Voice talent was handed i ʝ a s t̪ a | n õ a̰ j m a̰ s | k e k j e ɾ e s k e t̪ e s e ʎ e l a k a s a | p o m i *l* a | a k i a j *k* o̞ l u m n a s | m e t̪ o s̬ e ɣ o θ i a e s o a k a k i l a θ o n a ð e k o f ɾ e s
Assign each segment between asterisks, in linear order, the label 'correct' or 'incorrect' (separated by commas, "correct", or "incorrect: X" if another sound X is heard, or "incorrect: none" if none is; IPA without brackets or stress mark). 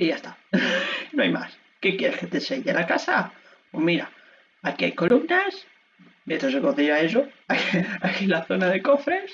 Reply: incorrect: ɾ, correct